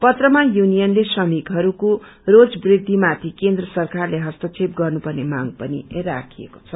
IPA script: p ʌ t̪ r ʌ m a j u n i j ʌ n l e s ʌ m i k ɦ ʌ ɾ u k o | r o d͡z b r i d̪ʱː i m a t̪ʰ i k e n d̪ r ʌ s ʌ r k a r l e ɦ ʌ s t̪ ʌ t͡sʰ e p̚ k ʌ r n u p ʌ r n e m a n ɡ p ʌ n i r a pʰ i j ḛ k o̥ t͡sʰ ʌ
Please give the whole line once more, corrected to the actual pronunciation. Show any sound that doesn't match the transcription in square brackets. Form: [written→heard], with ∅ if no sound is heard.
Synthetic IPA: p ʌ t̪ r ʌ m a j u n i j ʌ n l e s ʌ m i k ɦ ʌ ɾ u k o | r o d͡z b r i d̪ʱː i m a t̪ʰ i k e n d̪ r ʌ s ʌ r k a r l e ɦ ʌ s t̪ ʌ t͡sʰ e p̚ [k→ɡ] ʌ r n u p ʌ r n e m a [n→ŋ] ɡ p ʌ n i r a [pʰ→kʰ] i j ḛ k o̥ t͡sʰ ʌ